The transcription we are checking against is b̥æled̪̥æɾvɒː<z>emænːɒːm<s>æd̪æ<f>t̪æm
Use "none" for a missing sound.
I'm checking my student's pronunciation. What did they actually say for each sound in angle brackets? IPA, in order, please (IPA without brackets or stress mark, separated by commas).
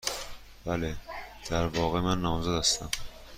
ɣ, z, s